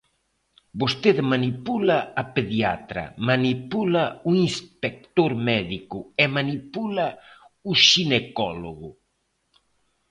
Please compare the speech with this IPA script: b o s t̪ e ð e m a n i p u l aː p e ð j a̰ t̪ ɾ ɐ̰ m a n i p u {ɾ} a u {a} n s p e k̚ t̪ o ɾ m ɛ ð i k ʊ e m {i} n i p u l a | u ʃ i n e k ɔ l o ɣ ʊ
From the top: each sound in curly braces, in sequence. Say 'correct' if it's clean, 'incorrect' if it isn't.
incorrect: l, incorrect: i, incorrect: a

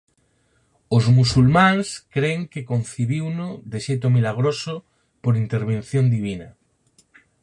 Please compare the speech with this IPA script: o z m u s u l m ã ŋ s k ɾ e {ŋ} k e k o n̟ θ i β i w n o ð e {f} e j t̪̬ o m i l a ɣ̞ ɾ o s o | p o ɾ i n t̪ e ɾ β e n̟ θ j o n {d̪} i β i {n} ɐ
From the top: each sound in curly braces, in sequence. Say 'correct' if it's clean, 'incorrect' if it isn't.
correct, incorrect: ʃ, correct, correct

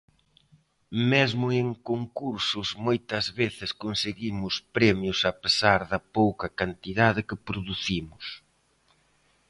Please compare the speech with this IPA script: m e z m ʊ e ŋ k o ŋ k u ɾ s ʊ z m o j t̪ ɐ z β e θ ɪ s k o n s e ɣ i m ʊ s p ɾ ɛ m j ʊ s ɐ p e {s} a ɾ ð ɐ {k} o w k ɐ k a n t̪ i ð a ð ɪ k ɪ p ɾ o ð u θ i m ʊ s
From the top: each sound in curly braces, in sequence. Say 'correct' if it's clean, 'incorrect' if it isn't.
correct, incorrect: p

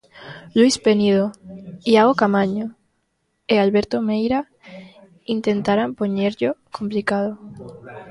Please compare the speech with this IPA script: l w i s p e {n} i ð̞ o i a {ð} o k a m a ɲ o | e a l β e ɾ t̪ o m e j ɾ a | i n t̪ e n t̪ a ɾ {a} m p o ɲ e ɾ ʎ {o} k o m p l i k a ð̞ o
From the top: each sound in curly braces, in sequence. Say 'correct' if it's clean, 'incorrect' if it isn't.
correct, incorrect: ɣ, correct, correct

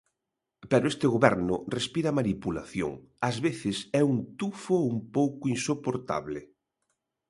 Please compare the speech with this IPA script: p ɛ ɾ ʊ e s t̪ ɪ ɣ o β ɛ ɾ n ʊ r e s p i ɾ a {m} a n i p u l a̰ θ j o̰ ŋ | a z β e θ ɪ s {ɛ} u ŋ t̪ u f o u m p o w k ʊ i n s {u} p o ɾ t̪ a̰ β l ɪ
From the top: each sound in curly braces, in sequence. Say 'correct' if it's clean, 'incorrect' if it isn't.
correct, correct, incorrect: o

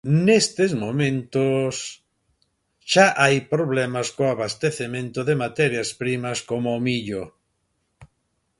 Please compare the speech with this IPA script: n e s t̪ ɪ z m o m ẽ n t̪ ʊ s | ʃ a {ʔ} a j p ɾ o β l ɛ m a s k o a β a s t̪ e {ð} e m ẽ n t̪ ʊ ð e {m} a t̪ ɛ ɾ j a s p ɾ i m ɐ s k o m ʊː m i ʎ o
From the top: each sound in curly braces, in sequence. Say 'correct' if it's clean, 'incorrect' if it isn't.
correct, incorrect: θ, correct

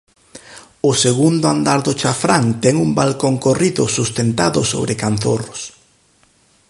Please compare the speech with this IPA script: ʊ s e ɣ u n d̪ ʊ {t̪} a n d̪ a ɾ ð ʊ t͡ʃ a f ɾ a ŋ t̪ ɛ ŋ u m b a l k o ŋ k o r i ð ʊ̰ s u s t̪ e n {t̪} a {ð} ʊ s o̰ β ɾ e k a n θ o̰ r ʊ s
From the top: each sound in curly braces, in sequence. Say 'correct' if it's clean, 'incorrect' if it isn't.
incorrect: none, correct, correct

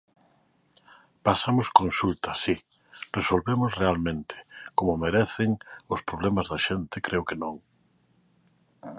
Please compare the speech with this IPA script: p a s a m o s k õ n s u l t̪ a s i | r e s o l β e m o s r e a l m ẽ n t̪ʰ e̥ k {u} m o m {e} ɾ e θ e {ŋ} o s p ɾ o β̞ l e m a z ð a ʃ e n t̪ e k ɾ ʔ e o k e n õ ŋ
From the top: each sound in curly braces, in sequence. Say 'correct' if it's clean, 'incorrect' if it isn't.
incorrect: o, correct, correct

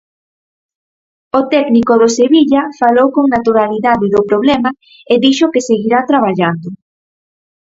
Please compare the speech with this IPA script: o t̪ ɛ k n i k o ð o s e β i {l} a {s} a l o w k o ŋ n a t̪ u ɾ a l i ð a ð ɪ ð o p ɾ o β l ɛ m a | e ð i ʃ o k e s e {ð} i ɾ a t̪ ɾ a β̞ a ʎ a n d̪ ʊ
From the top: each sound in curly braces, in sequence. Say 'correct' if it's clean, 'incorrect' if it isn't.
incorrect: ʎ, incorrect: f, incorrect: ɣ

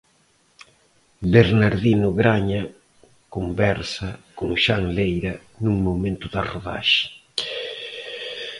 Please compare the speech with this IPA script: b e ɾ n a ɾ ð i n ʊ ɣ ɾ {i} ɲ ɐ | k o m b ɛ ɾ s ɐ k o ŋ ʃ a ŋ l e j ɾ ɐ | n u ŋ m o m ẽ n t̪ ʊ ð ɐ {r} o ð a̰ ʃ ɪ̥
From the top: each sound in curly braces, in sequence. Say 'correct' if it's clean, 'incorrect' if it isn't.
incorrect: a, correct

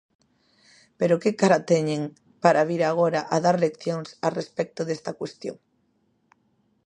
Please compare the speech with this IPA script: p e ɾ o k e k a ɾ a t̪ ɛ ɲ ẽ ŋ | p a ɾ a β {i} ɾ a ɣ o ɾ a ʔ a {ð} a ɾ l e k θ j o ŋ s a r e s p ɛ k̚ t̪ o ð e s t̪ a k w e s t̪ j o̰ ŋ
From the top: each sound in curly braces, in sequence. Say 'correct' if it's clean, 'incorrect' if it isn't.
correct, correct

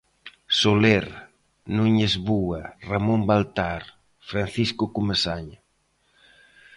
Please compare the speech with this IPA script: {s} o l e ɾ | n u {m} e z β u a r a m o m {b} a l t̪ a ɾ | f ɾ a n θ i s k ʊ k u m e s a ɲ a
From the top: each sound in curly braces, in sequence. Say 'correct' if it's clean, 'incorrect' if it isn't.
correct, incorrect: ɲ, correct

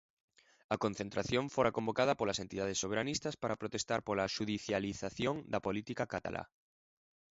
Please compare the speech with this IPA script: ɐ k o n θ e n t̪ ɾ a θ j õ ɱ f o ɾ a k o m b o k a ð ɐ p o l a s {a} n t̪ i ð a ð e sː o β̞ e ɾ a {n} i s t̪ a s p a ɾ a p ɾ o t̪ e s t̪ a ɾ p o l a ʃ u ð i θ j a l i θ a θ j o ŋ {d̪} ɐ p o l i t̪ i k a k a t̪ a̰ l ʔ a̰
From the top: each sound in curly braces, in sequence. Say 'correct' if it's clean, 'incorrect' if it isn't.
incorrect: e, correct, correct

